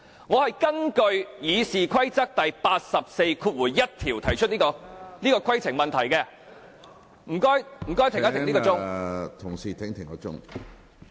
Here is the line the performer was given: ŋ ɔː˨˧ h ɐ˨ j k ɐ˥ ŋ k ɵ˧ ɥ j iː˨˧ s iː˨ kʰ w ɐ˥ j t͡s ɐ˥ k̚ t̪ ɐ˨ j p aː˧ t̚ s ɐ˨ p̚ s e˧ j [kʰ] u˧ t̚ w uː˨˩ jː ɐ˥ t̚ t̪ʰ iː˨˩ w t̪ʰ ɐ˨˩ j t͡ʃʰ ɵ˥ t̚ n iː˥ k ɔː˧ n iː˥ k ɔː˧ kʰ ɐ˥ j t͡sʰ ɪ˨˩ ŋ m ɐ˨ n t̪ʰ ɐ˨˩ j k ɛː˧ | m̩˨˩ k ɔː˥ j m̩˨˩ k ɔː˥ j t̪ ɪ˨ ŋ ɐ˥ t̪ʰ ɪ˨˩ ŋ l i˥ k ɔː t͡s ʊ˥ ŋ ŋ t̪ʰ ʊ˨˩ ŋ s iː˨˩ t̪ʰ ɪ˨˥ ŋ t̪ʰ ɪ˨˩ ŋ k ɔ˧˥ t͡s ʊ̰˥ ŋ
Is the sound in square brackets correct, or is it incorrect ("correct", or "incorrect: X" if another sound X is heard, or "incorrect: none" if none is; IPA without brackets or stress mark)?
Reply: correct